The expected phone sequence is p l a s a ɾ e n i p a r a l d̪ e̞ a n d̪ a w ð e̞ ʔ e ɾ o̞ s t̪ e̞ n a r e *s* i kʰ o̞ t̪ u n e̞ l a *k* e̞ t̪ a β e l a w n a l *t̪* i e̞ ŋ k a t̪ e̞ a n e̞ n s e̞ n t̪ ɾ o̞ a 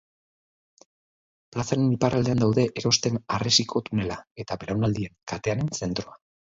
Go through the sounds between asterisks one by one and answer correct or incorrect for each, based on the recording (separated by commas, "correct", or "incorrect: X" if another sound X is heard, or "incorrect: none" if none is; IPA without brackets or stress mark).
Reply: correct, incorrect: none, incorrect: d̪